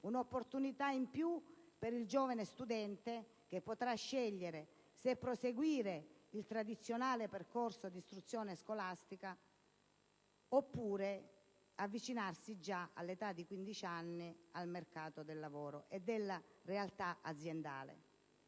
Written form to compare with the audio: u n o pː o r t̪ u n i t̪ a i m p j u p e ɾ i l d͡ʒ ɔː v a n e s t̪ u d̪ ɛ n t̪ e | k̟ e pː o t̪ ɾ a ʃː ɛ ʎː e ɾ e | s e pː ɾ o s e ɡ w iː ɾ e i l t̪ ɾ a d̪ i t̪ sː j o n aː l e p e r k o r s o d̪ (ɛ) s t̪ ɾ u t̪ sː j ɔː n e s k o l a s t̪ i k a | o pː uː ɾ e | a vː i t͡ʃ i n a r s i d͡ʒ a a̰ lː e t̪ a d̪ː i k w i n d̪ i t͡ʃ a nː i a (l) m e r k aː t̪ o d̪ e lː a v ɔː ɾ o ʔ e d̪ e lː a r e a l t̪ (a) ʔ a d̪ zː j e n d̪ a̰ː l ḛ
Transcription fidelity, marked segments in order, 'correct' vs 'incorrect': incorrect: i, correct, correct

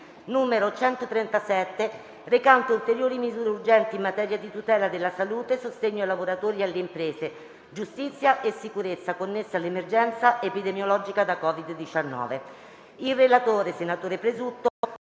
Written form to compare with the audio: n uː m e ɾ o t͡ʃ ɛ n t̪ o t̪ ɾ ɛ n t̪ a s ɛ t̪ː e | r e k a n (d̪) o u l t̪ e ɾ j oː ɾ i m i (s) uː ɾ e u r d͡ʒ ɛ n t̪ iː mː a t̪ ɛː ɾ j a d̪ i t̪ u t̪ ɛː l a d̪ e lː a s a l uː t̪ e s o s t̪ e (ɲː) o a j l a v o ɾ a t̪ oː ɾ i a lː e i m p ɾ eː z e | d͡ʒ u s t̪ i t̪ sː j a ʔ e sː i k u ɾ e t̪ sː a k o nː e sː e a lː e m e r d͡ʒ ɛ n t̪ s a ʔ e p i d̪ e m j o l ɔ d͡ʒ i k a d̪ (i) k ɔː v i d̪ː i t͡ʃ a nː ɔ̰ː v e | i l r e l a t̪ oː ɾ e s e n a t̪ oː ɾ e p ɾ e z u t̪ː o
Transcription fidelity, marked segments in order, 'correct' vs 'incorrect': incorrect: t̪, incorrect: z, correct, incorrect: a

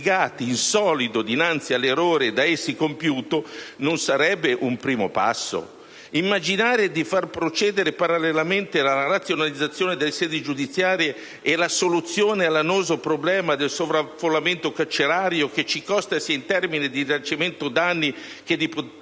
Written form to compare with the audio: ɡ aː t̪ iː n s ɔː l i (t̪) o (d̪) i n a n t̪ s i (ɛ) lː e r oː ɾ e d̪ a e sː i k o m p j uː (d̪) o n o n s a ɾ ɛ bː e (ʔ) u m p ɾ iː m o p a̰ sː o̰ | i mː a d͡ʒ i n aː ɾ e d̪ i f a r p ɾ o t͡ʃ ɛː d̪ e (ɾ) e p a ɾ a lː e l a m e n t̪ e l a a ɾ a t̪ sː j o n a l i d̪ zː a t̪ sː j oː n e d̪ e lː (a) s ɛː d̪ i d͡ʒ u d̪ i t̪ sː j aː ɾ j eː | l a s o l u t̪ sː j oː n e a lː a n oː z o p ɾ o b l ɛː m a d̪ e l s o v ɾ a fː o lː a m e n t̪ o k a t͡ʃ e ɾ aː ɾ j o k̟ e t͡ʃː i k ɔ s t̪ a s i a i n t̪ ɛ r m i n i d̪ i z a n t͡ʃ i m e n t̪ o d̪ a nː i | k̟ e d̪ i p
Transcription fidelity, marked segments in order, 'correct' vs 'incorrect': incorrect: d̪, correct, incorrect: a, incorrect: t̪, correct, correct, incorrect: e

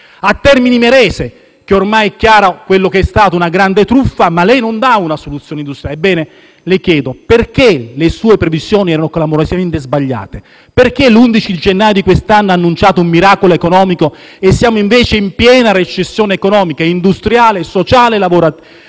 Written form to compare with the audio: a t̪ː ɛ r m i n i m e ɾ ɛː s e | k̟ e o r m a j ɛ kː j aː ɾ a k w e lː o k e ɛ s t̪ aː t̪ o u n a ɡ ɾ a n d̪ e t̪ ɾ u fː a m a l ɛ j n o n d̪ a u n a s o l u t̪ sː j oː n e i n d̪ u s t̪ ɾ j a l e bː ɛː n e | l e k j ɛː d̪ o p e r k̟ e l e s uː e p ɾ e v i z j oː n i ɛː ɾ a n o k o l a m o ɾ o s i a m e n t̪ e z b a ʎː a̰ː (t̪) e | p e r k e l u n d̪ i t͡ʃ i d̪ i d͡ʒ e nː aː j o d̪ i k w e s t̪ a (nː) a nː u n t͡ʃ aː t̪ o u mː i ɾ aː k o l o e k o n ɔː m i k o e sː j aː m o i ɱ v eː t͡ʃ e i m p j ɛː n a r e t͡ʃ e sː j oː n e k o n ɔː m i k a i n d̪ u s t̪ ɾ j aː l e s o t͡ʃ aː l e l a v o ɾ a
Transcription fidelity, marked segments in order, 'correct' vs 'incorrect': correct, correct

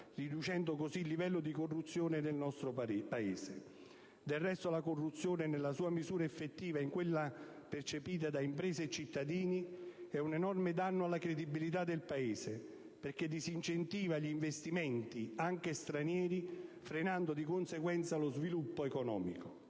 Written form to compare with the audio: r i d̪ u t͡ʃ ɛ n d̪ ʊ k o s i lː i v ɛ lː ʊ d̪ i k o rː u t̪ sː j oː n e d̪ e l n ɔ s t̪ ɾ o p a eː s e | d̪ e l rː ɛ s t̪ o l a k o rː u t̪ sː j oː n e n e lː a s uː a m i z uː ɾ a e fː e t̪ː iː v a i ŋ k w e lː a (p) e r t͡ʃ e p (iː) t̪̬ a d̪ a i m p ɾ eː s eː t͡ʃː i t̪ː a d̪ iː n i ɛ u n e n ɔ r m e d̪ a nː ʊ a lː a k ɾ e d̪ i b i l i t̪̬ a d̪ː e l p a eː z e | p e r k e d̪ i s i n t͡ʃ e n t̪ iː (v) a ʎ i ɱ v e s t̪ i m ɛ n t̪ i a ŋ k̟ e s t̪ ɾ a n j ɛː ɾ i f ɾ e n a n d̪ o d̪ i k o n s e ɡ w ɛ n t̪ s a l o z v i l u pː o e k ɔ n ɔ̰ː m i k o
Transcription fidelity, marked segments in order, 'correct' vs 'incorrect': correct, correct, correct

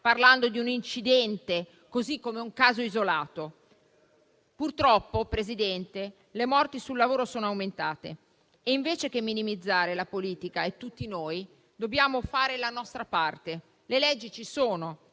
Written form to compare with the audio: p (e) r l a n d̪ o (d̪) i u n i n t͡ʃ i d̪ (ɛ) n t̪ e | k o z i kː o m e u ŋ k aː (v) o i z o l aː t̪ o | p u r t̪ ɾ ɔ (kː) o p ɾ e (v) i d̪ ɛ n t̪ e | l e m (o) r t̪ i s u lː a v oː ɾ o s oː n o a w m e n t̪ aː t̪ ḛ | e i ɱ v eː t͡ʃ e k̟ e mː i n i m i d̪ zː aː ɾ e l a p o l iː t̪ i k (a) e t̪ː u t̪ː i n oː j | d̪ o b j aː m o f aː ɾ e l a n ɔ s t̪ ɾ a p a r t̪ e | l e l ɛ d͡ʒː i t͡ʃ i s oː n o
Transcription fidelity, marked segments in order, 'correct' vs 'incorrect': incorrect: a, correct, correct, incorrect: z, incorrect: pː, incorrect: z, incorrect: ɔ, correct

